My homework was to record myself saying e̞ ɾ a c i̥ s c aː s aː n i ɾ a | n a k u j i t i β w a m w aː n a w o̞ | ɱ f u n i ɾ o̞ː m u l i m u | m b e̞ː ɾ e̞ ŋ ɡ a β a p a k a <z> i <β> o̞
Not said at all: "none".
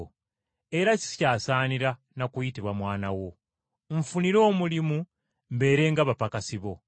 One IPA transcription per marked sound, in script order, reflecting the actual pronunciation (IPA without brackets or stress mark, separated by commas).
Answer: s, β